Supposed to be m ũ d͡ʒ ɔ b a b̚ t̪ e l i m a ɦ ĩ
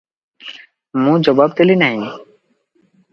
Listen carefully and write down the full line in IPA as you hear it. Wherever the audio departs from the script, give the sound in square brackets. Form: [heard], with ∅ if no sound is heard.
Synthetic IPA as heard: m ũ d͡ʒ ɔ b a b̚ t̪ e l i [n] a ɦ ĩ